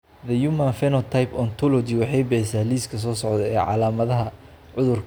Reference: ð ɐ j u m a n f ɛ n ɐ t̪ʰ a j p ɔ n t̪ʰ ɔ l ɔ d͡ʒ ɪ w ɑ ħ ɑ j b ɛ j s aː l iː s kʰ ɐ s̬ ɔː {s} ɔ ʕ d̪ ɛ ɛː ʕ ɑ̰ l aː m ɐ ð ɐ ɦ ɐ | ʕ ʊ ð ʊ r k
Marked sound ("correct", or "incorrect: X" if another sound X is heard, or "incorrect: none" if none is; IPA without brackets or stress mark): correct